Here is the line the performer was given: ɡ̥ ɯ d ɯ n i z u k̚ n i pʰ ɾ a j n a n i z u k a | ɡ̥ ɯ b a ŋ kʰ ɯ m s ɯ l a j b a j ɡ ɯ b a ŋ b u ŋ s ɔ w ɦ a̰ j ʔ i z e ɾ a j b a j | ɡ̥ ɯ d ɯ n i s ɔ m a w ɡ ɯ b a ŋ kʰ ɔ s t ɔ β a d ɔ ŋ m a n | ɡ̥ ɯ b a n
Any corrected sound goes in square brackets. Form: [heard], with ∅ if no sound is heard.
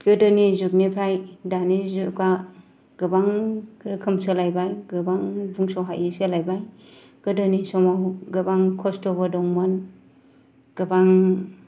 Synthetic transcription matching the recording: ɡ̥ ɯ d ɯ n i z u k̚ n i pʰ ɾ a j [d] a n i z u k a | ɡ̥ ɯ b a ŋ kʰ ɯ m s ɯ l a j b a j ɡ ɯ b a ŋ b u ŋ s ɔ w ɦ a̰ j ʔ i [s] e [l] a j b a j | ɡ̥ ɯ d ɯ n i s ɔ m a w ɡ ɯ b a ŋ kʰ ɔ s t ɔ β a d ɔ ŋ m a n | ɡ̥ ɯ b a [ŋ]

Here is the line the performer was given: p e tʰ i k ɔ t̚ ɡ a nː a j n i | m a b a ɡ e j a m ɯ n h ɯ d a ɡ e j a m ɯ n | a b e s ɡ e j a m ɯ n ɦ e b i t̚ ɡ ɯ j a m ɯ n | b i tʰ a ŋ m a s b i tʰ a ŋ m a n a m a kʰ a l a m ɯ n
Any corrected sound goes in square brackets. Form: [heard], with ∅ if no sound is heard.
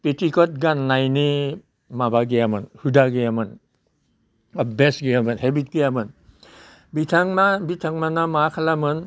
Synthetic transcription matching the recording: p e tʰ i k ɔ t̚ ɡ a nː a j n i | m a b a ɡ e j a m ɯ n h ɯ d a ɡ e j a m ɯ n | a b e s ɡ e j a m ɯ n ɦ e b i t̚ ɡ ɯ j a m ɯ n | b i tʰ a ŋ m a [∅] b i tʰ a ŋ m a n a m a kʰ a l a m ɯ n

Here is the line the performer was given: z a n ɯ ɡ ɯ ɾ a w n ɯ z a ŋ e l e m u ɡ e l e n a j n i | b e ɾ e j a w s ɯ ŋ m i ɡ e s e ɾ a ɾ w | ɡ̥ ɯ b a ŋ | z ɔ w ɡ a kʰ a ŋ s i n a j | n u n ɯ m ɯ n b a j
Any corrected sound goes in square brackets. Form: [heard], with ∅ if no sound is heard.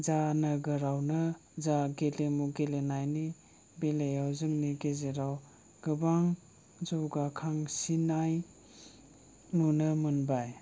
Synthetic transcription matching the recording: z a n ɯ ɡ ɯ ɾ a w n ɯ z a [ɡ] e l e m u ɡ e l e n a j n i | b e [l] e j a w [z] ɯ ŋ [n] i ɡ e [z] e ɾ a [∅] w | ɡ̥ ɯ b a ŋ | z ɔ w ɡ a kʰ a ŋ s i n a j | n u n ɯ m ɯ n b a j

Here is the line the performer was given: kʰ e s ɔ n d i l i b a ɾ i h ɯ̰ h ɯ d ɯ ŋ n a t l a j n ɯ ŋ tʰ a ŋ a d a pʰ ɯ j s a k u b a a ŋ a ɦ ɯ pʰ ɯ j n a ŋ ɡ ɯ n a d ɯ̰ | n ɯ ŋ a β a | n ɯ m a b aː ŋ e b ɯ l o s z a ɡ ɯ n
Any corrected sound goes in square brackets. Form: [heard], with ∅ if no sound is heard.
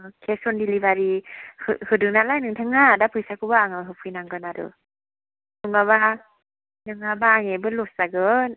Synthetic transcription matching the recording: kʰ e s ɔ n d i l i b a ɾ i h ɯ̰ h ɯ d ɯ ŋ n a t l a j n ɯ ŋ tʰ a ŋ a d a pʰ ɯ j s a k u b a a ŋ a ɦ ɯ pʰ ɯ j n a ŋ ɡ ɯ n a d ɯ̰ | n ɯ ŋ a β a | n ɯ [ŋ] a b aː ŋ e b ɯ l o s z a ɡ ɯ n

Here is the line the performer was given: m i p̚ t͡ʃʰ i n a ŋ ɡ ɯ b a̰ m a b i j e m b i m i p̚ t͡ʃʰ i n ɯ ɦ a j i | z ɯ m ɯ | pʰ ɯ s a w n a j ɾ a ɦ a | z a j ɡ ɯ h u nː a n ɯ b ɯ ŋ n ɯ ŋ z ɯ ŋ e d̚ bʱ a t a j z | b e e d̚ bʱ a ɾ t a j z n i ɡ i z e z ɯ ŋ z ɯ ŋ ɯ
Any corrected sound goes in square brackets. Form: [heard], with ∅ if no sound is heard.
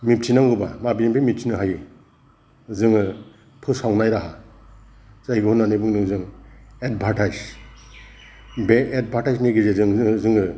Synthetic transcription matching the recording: m i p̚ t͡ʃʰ i n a ŋ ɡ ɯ b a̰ m a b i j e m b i m i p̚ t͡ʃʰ i n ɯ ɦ a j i | z ɯ [ŋ] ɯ | pʰ ɯ s a w n a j ɾ a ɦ a | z a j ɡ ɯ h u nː a n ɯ b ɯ ŋ n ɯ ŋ z ɯ ŋ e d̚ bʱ a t a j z | b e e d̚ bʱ a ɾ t a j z n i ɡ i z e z ɯ ŋ z ɯ ŋ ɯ

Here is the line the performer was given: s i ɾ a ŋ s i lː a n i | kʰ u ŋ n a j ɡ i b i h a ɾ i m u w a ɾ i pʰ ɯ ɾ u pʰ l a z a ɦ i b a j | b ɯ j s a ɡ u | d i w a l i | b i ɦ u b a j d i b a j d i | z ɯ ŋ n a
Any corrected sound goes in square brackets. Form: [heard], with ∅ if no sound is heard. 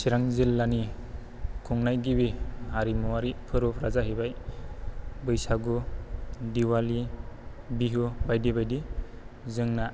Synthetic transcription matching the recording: s i ɾ a ŋ [z] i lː a n i | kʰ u ŋ n a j ɡ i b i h a ɾ i m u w a ɾ i pʰ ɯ ɾ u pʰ [ɾ] a z a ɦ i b a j | b ɯ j s a ɡ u | d i w a l i | b i ɦ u b a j d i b a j d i | z ɯ ŋ n a

